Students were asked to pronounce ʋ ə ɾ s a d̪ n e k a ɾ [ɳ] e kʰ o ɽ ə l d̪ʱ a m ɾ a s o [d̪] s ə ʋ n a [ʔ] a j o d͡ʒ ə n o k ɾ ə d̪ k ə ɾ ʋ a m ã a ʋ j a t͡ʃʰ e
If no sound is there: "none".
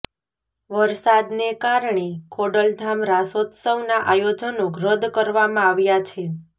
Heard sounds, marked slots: ɳ, t̪, ʔ

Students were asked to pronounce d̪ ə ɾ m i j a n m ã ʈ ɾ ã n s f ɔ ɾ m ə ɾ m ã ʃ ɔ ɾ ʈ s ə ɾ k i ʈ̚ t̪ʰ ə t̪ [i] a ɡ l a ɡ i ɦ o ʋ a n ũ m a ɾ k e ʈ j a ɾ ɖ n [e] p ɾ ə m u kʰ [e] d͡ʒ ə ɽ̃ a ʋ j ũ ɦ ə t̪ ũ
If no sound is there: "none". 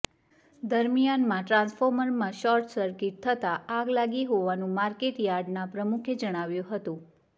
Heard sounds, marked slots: a, a, e

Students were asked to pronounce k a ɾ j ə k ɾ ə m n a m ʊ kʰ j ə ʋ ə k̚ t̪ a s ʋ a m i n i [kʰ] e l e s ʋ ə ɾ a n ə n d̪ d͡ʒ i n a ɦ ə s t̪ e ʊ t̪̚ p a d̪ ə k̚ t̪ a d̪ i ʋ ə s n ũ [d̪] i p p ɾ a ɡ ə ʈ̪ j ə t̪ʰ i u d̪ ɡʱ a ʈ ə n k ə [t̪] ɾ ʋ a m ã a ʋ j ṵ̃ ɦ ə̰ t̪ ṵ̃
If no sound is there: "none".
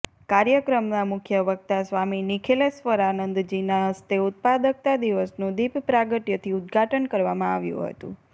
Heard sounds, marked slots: kʰ, d̪, none

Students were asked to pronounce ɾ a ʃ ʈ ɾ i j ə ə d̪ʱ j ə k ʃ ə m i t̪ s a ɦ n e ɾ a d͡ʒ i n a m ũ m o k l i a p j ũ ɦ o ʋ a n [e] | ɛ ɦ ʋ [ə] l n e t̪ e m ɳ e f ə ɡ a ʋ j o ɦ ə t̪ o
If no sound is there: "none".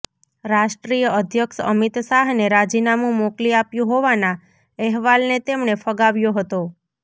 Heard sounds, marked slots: a, a

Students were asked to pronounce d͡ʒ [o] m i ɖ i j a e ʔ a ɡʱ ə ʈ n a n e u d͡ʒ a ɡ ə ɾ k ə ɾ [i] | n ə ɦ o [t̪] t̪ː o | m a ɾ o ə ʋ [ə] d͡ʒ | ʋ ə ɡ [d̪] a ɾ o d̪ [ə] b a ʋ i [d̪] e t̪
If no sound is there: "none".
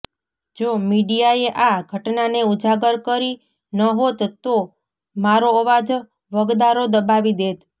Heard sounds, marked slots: o, i, t̪, a, d̪, ə, d̪

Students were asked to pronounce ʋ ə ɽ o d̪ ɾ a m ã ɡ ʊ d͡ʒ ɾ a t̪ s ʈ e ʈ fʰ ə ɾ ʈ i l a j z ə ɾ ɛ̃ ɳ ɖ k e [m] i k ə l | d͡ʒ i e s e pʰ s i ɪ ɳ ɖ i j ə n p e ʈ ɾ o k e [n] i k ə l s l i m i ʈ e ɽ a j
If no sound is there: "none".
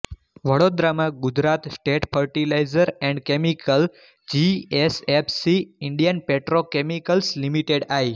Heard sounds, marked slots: m, m

